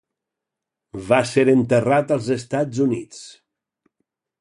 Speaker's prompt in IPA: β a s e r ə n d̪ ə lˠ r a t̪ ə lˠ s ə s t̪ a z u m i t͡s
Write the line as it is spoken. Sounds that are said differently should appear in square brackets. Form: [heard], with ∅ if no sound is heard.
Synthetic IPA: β a s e [ɾ] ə n [t̪] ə [∅] r a t̪ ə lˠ [z] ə s t̪ a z u [n] i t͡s